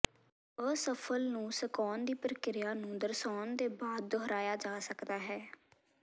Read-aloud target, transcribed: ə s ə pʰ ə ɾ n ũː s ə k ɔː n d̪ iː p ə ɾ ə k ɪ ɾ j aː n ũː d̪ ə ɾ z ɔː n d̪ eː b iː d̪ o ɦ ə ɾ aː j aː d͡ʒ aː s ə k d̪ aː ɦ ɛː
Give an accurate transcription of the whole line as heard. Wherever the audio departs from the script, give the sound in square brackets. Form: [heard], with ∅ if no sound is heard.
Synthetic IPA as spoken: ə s ə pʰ ə [l] n ũː s ə k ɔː n d̪ iː p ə ɾ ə k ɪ ɾ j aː n ũː d̪ ə ɾ [s] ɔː n d̪ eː b [aː] d̪ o ɦ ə ɾ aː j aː d͡ʒ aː s ə k d̪ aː ɦ ɛː

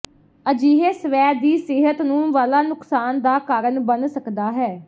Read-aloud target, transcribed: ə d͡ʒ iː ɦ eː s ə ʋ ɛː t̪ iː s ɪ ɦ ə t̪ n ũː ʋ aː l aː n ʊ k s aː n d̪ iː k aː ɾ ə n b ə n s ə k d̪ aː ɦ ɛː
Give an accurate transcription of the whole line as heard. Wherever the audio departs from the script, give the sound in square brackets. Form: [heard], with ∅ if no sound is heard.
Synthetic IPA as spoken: ə d͡ʒ iː ɦ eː s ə ʋ ɛː [d̪] iː s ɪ ɦ ə t̪ n ũː ʋ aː l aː n ʊ k s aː n d̪ [aː] k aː ɾ ə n b ə n s ə k d̪ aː ɦ ɛː

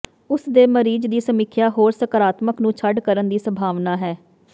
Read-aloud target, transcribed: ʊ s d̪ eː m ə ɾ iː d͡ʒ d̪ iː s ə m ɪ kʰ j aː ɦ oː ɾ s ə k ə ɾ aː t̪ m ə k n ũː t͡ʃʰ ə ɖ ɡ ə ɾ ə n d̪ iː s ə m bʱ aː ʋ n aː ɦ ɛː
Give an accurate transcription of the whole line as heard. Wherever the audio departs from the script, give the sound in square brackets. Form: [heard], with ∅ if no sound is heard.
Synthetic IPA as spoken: ʊ s d̪ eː m ə ɾ iː d͡ʒ d̪ iː s ə m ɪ kʰ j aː ɦ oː ɾ s ə k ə ɾ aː t̪ m ə k n ũː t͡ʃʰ ə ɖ [k] ə ɾ ə n d̪ iː s ə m bʱ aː ʋ n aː ɦ ɛː

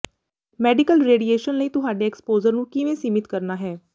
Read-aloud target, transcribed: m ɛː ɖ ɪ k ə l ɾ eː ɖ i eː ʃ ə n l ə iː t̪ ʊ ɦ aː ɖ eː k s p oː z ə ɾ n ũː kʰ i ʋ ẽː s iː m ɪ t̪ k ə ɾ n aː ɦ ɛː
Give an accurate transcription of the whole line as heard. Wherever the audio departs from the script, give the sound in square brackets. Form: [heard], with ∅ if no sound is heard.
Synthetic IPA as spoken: m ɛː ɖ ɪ k ə l ɾ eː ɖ i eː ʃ ə n l ə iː t̪ ʊ ɦ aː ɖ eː k s p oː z ə ɾ n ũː [k] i ʋ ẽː s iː m ɪ t̪ k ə ɾ n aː ɦ ɛː

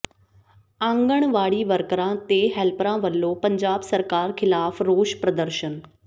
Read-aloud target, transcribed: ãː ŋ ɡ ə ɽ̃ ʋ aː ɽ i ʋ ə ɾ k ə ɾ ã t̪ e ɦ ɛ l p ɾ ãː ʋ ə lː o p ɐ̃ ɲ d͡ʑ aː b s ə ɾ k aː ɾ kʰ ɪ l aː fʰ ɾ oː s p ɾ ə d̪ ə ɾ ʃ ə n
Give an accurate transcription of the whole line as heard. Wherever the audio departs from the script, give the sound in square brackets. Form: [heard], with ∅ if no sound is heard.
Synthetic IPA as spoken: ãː ŋ ɡ ə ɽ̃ ʋ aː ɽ i ʋ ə ɾ k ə ɾ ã t̪ e ɦ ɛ l p ɾ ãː ʋ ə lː o p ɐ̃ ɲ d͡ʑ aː b s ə ɾ k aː ɾ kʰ ɪ l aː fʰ ɾ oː [ʃ] p ɾ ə d̪ ə ɾ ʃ ə n

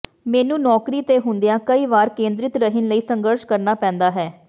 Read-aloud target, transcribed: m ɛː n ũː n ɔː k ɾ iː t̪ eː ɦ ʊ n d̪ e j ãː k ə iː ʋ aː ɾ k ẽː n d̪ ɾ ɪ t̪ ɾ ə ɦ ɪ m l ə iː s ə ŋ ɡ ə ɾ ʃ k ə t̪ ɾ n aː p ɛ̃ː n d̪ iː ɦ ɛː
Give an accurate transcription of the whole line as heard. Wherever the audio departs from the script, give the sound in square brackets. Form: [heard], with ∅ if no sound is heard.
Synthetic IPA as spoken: m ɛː n ũː n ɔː k ɾ iː t̪ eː ɦ ʊ n d̪ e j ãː k ə iː ʋ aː ɾ k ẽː n d̪ ɾ ɪ t̪ ɾ ə ɦ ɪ [n] l ə iː s ə ŋ ɡ ə ɾ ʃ k ə [∅] ɾ n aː p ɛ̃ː n d̪ [aː] ɦ ɛː

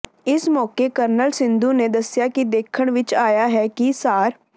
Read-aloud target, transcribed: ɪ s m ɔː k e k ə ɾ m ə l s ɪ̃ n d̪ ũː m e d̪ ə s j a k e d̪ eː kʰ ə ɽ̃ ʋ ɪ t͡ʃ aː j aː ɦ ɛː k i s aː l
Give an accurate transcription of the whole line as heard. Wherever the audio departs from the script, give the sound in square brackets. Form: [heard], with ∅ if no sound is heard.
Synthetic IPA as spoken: ɪ s m ɔː k e k ə ɾ [n] ə l s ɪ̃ n d̪ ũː [n] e d̪ ə s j a k [i] d̪ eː kʰ ə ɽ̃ ʋ ɪ t͡ʃ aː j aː ɦ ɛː k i s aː [ɾ]

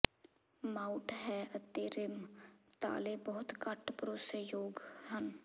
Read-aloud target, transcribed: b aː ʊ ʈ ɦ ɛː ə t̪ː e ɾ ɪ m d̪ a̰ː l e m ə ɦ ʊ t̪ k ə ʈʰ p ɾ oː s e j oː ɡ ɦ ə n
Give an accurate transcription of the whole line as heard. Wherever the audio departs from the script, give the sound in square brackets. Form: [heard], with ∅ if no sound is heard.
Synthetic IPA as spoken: [m] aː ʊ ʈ ɦ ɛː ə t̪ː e ɾ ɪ m [t̪] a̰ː l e [b] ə ɦ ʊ t̪ k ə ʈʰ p ɾ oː s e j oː ɡ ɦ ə n

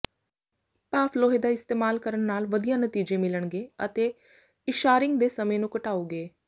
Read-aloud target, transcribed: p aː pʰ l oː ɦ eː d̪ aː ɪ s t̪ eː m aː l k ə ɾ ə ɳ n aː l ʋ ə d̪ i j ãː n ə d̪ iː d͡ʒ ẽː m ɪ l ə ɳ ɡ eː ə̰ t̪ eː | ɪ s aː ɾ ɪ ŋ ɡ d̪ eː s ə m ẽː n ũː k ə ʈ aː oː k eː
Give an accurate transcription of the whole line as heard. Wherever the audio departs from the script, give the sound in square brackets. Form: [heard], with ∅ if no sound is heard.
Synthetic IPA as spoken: p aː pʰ l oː ɦ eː d̪ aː ɪ s t̪ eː m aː l k ə ɾ ə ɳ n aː l ʋ ə d̪ i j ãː n ə [t̪] iː d͡ʒ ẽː m ɪ l ə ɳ ɡ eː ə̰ t̪ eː | ɪ [ʃ] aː ɾ ɪ ŋ ɡ d̪ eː s ə m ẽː n ũː k ə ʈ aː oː [ɡ] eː

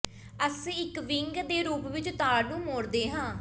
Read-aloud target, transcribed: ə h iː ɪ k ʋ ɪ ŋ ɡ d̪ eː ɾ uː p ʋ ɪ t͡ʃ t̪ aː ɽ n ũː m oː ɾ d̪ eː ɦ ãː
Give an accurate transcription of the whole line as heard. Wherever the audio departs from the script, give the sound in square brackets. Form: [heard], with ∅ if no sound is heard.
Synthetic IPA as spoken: ə [s] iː ɪ k ʋ ɪ ŋ ɡ d̪ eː ɾ uː p ʋ ɪ t͡ʃ t̪ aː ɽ n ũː m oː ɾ d̪ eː ɦ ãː

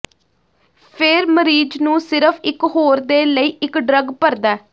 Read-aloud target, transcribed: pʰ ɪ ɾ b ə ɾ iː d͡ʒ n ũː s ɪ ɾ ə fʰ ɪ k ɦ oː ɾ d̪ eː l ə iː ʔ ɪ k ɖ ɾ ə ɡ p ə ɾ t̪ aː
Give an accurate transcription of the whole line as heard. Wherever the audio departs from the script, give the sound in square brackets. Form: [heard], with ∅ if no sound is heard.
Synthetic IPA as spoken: pʰ ɪ ɾ [m] ə ɾ iː d͡ʒ n ũː s ɪ ɾ ə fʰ ɪ k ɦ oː ɾ d̪ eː l ə iː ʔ ɪ k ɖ ɾ ə ɡ p ə ɾ [d̪] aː

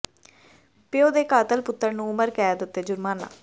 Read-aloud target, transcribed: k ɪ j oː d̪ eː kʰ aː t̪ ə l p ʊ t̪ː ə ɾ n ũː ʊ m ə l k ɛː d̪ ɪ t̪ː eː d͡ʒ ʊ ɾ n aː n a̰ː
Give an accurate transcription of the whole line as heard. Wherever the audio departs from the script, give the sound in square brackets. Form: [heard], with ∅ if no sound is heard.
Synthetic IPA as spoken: [p] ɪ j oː d̪ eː [k] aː t̪ ə l p ʊ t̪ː ə ɾ n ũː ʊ m ə [ɾ] k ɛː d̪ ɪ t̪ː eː d͡ʒ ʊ ɾ [m] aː n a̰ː

